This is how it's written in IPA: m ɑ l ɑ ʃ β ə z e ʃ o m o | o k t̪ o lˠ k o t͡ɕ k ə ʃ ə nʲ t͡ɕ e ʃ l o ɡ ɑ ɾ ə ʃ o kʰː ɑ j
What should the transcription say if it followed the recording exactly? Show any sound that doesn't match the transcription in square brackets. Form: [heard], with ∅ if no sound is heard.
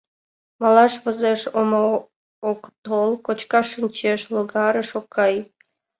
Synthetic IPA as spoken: m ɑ l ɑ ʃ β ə z e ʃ o m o | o k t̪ o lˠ k o t͡ɕ k [ɑ] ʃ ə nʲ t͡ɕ e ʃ l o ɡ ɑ ɾ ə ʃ o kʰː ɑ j

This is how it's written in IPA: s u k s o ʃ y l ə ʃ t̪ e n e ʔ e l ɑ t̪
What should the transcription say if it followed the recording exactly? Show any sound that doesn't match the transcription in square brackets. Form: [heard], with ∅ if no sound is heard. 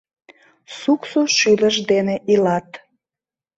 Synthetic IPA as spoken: s u k s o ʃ y l ə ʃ [d̪] e n e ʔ [i] l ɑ t̪

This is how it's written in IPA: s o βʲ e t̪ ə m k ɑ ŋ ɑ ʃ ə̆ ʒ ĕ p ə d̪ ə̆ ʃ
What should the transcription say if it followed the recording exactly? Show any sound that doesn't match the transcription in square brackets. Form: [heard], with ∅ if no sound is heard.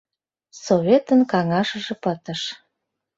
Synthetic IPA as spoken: s o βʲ e t̪ ə [n] k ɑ ŋ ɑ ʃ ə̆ ʒ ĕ p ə [t̪] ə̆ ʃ

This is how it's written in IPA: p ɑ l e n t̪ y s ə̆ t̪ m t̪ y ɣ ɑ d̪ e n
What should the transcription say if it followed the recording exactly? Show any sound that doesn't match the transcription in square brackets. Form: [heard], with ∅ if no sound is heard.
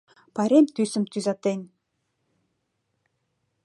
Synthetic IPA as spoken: p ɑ [ɾ] e [m] t̪ y s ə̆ [∅] m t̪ y [z] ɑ [t̪] e n

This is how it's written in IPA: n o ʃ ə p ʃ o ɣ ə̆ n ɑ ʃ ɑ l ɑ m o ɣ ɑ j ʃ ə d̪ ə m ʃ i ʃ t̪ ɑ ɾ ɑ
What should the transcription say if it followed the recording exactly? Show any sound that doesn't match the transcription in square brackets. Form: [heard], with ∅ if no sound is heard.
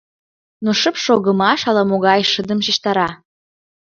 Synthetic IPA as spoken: n o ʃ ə p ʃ o ɣ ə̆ [m] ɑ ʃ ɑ l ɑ m o ɣ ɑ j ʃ ə d̪ ə m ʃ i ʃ t̪ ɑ ɾ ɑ

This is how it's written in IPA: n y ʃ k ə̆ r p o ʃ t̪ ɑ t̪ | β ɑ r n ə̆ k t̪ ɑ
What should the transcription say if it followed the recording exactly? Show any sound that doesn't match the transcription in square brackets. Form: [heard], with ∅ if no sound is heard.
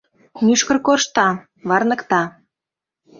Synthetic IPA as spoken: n y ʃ k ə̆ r [k] o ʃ t̪ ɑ [∅] | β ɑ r n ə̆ k t̪ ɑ

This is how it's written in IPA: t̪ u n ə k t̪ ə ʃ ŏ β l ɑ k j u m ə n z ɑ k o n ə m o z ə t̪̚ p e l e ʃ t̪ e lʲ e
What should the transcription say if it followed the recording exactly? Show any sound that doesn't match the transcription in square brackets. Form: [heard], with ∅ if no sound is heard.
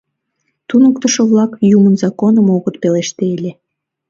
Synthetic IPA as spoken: t̪ u n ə k t̪ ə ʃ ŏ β l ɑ k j u m ə n z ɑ k o n ə m o [ɣ] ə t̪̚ p e l e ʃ t̪ e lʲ e

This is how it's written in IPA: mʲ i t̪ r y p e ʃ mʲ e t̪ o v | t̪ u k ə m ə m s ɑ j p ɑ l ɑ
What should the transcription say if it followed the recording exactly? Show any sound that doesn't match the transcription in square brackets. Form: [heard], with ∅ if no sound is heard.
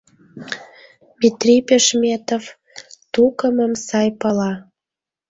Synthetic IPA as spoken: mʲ i t̪ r [i] p e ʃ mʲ e t̪ o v | t̪ u k ə m ə m s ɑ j p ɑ l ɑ

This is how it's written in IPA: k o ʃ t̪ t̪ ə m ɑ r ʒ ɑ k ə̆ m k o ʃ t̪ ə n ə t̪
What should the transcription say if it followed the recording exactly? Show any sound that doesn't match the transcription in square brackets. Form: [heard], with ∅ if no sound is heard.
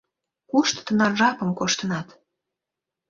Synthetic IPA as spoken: k [u] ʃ t̪ t̪ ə [n] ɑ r ʒ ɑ [p] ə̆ m k o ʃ t̪ ə n [ɑ] t̪

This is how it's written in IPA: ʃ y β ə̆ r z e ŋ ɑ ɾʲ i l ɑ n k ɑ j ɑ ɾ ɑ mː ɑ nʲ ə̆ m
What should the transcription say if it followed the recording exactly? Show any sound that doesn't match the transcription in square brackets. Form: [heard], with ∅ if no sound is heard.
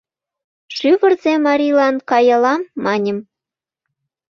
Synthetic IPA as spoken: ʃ y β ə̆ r z e [m] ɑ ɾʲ i l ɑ n k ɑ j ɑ [l] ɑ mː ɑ nʲ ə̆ m

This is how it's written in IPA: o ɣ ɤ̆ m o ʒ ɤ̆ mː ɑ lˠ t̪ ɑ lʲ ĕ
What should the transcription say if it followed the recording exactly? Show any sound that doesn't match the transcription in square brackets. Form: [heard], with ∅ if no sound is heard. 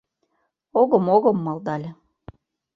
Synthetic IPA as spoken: o ɣ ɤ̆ m o [ɣ] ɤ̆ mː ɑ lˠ [d̪] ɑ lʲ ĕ

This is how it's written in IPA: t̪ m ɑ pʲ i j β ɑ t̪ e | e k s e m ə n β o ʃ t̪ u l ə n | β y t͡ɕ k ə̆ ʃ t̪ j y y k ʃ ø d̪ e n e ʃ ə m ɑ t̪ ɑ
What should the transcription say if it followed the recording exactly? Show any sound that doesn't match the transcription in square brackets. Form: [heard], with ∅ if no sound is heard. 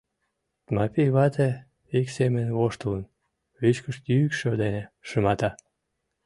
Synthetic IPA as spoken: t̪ m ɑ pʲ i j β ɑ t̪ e | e k s e m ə n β o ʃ t̪ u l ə n | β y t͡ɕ k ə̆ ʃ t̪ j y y k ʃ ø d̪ e n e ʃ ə m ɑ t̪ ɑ

